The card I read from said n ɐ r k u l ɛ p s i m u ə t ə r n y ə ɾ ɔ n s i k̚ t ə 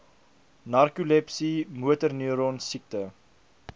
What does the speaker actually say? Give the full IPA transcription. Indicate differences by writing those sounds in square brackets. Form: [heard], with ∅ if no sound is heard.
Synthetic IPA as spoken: n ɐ r k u l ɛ p s i m u ə t ə r n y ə ɾ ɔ n s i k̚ t ə